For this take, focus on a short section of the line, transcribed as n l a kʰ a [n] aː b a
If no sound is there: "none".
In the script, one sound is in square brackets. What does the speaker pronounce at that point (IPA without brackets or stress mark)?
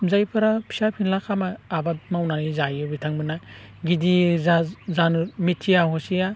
m